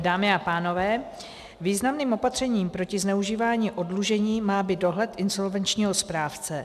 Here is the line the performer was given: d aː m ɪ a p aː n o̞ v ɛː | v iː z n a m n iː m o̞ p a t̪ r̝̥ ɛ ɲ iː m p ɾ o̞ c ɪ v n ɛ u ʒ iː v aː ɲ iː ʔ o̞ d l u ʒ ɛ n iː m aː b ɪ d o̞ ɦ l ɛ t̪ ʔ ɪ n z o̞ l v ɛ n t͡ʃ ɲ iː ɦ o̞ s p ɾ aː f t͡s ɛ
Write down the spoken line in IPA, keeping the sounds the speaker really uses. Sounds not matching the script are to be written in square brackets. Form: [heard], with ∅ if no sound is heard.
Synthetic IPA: d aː m ɪ a p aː n o̞ v ɛː | v iː z n a m n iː m o̞ p a t̪ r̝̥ ɛ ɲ iː m p ɾ o̞ c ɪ [z] n ɛ u ʒ iː v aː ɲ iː ʔ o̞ d l u ʒ ɛ [ɲ] iː m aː b ɪ d o̞ ɦ l ɛ t̪ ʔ ɪ n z o̞ l v ɛ n t͡ʃ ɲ iː ɦ o̞ s p ɾ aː f t͡s ɛ